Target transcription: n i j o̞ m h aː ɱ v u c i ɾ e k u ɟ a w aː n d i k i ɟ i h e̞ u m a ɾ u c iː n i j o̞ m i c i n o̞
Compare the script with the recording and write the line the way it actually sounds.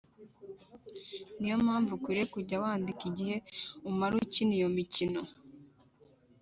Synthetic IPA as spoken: n i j o̞ m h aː ɱ v u k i ɾ e k u ɟ a w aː n d i k i ɟ i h e̞ u m a ɾ u c i n i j o̞ m i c i n o̞